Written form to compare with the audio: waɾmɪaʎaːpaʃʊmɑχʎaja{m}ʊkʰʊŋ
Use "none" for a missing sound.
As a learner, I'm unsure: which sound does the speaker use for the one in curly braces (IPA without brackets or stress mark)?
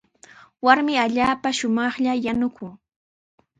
n